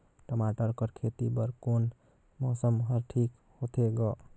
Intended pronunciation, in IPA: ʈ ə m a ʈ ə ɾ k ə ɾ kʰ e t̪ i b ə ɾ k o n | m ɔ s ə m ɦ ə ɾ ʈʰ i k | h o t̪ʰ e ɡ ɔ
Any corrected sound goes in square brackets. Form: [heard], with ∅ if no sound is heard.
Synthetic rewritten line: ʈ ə m a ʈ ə ɾ k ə ɾ kʰ e t̪ i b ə ɾ k o n | m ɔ s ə m ɦ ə ɾ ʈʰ i k | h o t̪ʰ e ɡ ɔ